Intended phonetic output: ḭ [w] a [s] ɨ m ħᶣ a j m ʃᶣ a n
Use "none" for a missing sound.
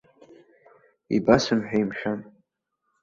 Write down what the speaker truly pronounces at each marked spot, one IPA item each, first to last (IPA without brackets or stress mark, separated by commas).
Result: b, s